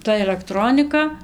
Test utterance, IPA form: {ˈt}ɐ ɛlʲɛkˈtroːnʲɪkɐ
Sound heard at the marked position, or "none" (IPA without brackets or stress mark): t